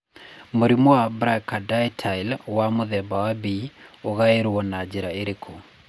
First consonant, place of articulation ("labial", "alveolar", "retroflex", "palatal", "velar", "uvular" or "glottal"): labial